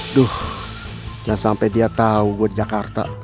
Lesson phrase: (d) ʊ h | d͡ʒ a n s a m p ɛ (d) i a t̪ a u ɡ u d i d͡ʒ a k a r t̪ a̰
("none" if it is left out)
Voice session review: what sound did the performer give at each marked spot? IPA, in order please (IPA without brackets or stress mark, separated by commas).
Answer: d, d